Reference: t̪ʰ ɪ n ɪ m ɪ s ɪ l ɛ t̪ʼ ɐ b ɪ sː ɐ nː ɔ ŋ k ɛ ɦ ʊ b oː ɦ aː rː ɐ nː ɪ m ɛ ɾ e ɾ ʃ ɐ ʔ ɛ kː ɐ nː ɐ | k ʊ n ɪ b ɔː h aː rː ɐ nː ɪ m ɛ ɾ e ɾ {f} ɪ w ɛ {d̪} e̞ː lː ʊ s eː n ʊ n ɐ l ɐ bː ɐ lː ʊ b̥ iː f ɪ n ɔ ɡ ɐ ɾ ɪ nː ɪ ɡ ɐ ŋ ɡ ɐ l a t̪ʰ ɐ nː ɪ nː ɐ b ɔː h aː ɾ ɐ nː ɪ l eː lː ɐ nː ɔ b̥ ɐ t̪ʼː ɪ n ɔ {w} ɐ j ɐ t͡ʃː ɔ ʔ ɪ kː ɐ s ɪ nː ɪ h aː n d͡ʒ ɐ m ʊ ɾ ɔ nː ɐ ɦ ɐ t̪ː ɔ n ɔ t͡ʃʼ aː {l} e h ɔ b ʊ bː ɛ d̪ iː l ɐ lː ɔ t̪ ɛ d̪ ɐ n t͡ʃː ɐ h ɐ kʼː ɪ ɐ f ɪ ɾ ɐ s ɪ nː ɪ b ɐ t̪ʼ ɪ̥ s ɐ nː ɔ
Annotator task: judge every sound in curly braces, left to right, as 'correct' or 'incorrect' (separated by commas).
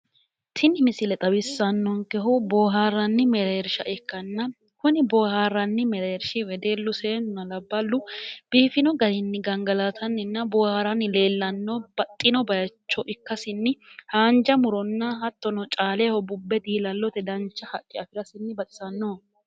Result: incorrect, correct, incorrect, correct